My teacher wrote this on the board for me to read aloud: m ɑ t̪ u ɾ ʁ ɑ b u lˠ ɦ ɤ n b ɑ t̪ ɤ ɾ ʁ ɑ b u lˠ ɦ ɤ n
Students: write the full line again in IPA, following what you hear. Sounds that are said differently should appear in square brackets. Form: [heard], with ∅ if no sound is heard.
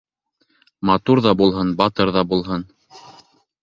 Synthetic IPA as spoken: m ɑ t̪ u ɾ [ð] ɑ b u lˠ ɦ ɤ n b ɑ t̪ ɤ ɾ [ð] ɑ b u lˠ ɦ ɤ n